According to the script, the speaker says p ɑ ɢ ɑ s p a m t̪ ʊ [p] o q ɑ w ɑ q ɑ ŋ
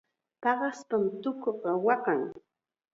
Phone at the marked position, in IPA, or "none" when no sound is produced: k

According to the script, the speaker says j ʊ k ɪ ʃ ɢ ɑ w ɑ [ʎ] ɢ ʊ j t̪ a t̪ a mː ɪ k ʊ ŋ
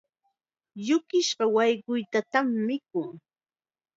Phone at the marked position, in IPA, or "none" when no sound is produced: j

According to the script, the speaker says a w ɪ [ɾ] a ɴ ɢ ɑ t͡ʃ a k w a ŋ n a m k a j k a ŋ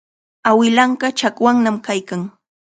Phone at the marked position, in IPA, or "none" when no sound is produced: l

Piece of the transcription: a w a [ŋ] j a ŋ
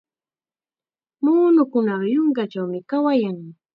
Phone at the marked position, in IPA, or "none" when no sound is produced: none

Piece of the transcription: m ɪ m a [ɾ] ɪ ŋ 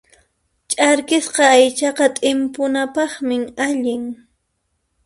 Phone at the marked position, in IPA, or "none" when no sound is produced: ʎ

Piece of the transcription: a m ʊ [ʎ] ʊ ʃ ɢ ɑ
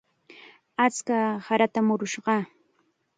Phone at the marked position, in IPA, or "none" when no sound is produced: ɾ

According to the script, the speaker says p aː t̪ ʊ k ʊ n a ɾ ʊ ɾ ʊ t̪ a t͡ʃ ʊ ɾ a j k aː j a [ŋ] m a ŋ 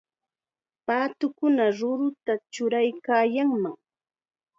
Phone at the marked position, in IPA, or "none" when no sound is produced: ŋ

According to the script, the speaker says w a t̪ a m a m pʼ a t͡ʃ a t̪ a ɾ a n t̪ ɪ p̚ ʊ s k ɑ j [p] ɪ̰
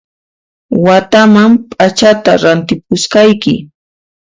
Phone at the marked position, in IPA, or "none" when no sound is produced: k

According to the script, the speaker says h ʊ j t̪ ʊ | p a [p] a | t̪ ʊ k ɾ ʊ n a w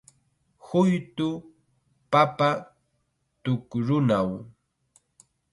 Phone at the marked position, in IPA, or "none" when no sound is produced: p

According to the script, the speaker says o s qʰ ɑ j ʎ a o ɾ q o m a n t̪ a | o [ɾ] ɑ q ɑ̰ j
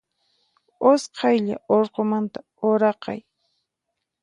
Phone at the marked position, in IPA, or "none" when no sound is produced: ɾ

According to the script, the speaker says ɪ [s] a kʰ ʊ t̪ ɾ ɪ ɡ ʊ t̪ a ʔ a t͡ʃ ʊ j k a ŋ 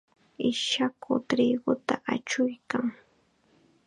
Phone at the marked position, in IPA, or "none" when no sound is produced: ʃ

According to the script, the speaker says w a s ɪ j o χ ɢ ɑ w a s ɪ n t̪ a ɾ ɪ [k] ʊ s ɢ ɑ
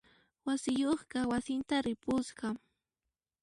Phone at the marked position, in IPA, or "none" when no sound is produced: p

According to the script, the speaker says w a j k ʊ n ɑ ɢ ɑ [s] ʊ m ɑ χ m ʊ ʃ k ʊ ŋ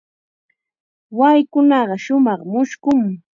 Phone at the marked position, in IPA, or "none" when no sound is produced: ʃ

